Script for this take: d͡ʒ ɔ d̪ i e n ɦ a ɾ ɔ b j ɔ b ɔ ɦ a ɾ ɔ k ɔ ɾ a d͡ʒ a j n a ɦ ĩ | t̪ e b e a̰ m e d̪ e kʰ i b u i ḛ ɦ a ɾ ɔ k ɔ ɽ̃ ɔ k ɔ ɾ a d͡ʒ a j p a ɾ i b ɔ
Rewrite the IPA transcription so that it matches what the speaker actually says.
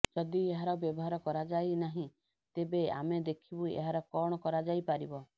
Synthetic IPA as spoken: d͡ʒ ɔ d̪ i e ɦ a ɾ ɔ b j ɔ b ɔ ɦ a ɾ ɔ k ɔ ɾ a d͡ʒ a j n a ɦ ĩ | t̪ e b e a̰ m e d̪ e kʰ i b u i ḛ ɦ a ɾ ɔ k ɔ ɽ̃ ɔ k ɔ ɾ a d͡ʒ a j p a ɾ i b ɔ